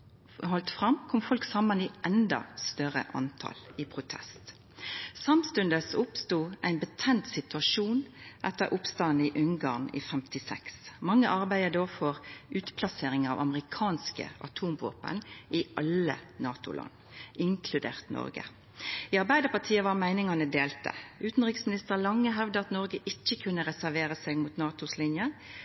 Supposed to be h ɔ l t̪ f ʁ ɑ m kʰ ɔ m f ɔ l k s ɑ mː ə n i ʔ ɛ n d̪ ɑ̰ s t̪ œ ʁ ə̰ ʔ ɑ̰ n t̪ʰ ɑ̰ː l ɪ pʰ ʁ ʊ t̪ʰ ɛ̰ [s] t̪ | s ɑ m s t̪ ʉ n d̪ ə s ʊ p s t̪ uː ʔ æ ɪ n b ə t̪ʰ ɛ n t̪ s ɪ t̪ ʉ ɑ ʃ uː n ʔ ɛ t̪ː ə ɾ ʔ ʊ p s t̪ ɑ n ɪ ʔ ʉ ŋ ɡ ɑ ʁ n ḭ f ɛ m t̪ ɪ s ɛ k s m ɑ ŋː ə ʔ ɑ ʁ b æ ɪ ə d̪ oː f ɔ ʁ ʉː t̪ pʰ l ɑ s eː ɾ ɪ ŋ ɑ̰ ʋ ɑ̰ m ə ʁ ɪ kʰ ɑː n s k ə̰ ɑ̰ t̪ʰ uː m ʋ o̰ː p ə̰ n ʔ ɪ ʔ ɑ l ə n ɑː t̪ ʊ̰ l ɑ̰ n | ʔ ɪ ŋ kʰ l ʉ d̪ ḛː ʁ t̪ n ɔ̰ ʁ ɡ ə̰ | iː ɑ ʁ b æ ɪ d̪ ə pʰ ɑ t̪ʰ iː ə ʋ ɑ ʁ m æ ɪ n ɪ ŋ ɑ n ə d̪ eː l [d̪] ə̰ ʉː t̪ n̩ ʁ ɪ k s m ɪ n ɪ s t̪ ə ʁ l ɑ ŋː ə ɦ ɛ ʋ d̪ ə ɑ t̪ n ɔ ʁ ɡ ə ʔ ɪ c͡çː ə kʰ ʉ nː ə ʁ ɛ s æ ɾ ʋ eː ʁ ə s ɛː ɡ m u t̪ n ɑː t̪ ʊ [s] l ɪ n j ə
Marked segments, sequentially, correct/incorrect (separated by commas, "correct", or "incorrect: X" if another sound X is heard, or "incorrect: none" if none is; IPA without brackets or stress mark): correct, incorrect: t̪, correct